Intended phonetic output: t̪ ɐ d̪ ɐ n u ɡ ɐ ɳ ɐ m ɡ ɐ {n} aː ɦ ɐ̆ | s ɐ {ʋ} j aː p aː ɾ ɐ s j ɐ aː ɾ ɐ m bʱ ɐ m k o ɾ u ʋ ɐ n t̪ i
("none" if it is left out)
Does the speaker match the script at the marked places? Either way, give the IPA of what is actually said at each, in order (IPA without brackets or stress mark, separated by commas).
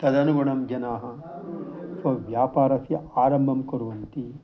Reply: n, ʋ